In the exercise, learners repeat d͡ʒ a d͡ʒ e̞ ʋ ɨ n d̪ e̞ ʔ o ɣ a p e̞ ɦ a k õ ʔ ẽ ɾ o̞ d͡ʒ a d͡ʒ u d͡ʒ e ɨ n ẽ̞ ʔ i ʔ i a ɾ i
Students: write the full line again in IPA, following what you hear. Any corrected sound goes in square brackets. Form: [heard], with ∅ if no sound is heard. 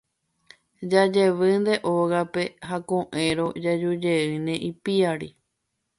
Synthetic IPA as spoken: d͡ʒ a d͡ʒ e̞ ʋ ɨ n d̪ e̞ ʔ o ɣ a p e̞ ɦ a k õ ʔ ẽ ɾ o̞ d͡ʒ a d͡ʒ u d͡ʒ e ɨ n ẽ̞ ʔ i [p] i a ɾ i